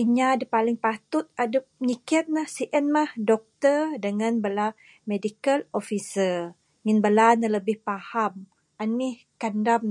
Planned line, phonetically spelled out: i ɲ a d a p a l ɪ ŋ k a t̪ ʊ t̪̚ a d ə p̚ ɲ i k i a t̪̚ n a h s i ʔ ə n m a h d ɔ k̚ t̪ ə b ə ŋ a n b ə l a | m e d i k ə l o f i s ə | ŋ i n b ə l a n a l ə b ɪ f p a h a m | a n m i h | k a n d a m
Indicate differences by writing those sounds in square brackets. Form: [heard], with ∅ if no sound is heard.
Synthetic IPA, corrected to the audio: i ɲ a d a p a l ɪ ŋ [p] a t̪ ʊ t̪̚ a d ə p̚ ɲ i k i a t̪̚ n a h s i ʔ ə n m a h d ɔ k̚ t̪ ə [d] ə ŋ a n b ə l a | m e d i k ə l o f i s ə | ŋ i n b ə l a n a l ə b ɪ [h] p a h a m | a n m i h | k a n d a m